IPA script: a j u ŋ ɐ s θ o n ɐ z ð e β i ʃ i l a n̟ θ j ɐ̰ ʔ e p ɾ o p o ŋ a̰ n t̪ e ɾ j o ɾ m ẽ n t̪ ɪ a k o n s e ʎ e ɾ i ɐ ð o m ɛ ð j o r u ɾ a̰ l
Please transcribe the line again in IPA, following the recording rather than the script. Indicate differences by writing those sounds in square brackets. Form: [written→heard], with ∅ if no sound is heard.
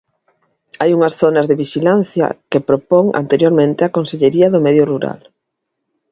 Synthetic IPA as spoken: a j u ŋ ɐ s θ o n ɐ z ð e β i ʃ i l a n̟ θ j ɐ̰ [ʔ→k] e p ɾ o p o ŋ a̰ n t̪ e ɾ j o ɾ m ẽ n t̪ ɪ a k o n s e ʎ e ɾ i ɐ ð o m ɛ ð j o r u ɾ a̰ l